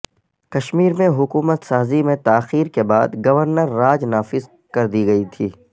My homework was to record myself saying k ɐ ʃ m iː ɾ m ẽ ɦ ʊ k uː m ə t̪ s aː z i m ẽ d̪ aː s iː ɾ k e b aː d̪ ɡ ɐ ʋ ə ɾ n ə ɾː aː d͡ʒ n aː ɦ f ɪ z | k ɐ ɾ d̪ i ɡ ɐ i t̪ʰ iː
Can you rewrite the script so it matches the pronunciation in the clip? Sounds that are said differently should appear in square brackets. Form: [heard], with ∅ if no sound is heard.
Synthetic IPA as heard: k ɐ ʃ m iː ɾ m ẽ ɦ ʊ k uː m ə t̪ s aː z i m ẽ [t̪] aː [x] iː ɾ k e b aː d̪ ɡ ɐ ʋ ə ɾ n ə ɾː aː d͡ʒ n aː [∅] f ɪ z | k ɐ ɾ d̪ i ɡ ɐ i t̪ʰ iː